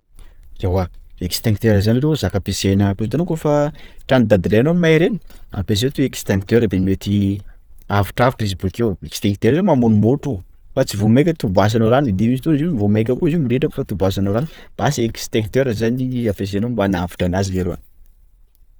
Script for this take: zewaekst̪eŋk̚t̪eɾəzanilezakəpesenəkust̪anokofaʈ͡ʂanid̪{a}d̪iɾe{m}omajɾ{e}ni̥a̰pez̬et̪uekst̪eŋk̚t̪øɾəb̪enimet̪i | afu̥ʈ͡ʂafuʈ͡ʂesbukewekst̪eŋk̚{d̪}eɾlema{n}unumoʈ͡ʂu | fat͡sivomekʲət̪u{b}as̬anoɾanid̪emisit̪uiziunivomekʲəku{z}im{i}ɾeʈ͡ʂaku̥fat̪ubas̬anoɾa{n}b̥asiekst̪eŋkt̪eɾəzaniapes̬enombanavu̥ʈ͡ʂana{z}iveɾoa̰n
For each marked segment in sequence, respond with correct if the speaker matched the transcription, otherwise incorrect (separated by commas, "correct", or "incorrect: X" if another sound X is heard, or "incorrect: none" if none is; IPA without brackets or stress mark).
correct, incorrect: n, correct, incorrect: t̪, incorrect: m, correct, correct, correct, correct, correct